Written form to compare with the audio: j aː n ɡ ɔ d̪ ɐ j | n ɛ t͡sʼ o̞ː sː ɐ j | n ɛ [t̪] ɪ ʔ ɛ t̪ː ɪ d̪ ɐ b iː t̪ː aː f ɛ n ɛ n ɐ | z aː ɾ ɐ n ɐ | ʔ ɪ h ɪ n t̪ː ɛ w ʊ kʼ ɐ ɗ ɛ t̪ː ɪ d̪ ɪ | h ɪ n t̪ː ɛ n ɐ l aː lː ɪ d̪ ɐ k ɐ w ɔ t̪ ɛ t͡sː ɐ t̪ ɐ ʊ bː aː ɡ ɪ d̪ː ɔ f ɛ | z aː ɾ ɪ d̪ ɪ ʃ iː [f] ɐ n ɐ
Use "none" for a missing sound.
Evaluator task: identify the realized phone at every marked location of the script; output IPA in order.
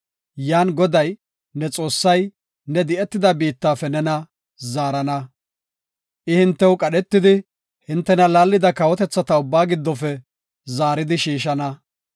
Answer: d̪, ʃ

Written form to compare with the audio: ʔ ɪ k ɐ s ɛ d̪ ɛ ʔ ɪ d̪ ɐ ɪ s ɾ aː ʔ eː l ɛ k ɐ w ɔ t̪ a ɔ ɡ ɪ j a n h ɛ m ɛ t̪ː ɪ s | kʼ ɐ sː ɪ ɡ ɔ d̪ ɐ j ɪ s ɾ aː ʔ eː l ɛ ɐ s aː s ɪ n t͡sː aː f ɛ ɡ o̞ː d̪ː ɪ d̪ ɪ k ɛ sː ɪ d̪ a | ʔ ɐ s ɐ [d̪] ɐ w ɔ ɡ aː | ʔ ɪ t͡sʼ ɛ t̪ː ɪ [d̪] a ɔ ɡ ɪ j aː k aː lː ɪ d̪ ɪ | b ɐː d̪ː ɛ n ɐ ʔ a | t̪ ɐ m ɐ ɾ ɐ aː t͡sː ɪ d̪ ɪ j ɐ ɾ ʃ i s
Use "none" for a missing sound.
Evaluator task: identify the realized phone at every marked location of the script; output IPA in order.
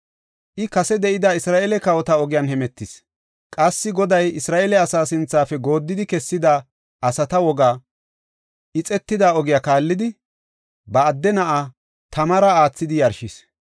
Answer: t̪, d̪

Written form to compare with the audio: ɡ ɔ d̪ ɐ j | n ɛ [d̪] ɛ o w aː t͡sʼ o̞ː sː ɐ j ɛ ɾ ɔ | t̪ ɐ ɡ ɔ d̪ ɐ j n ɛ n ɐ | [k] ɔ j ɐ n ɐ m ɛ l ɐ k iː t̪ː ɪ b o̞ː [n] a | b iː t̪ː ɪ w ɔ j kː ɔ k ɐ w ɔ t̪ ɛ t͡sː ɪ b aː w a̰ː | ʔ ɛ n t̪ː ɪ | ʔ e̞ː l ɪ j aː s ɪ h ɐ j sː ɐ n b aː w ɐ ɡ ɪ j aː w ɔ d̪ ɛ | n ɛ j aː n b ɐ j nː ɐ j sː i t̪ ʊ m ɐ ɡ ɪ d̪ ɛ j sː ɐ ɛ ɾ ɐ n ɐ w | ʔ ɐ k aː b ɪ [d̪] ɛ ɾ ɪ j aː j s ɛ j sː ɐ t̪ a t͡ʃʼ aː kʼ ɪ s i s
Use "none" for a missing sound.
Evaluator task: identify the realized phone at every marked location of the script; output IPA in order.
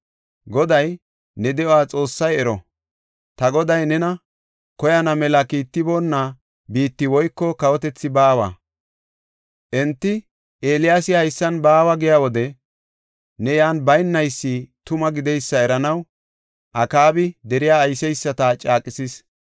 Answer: d̪, k, nː, d̪

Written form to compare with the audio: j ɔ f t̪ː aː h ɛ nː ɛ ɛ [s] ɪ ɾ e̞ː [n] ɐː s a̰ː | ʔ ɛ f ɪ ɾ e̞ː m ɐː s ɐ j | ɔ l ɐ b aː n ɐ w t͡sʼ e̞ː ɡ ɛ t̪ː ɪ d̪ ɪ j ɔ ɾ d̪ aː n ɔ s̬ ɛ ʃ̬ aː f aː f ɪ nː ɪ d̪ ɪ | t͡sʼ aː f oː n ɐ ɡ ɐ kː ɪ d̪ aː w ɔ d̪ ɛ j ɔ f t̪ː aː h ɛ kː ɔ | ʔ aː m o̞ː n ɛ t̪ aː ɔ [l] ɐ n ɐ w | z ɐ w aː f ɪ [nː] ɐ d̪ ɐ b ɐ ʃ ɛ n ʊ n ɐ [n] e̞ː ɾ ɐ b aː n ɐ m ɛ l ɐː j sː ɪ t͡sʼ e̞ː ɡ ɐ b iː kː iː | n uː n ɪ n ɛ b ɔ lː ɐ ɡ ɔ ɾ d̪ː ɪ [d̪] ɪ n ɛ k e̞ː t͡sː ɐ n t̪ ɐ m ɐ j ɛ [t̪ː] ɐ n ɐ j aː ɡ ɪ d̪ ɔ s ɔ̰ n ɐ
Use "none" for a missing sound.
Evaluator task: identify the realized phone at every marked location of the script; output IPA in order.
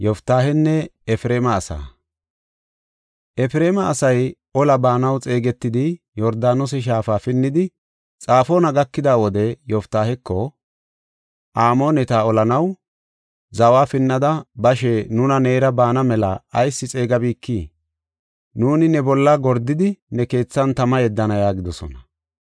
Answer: f, m, l, nː, n, d̪, d̪ː

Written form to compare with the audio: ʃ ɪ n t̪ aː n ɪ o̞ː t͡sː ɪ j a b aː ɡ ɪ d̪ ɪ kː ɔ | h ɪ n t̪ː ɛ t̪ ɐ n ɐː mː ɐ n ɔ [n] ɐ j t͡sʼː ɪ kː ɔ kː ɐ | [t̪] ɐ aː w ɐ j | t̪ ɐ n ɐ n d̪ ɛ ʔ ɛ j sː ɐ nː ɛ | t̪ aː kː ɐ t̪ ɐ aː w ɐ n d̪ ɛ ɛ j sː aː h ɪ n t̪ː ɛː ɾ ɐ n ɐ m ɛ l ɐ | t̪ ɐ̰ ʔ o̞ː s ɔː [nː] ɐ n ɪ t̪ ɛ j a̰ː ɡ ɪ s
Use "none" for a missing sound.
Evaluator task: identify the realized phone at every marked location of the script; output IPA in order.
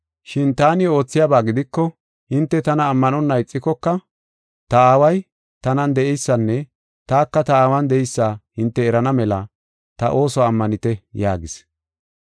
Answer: nː, t̪, mː

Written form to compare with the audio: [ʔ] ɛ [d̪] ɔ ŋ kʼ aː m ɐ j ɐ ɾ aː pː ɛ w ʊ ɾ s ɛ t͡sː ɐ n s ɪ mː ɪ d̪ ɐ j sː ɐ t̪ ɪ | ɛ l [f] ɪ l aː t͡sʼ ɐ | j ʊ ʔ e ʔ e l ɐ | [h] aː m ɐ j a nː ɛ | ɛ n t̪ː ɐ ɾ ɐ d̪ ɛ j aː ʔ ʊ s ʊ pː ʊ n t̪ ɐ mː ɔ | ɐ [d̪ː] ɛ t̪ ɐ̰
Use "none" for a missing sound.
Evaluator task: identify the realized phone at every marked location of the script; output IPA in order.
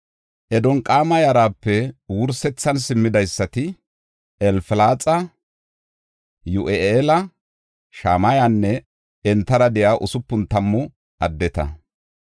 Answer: ʔ, d̪, f, ʃ, d̪ː

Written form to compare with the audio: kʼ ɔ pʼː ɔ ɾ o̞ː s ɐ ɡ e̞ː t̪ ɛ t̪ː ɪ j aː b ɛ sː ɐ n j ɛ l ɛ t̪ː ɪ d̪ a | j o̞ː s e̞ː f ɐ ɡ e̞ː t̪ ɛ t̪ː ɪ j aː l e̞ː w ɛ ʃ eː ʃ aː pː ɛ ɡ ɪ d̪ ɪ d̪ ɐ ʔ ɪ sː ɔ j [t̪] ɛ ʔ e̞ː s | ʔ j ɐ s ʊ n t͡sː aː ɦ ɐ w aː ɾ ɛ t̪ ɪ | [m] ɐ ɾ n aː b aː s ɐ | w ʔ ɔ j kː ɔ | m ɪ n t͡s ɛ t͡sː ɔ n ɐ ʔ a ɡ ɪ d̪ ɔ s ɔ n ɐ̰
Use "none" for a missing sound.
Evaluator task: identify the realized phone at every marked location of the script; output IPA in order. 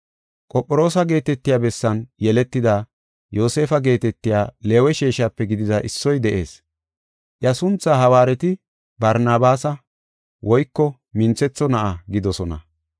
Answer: d̪, b

